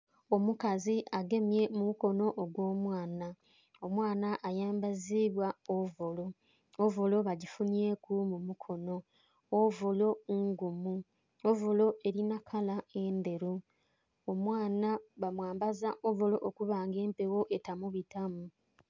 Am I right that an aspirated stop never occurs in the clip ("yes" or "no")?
no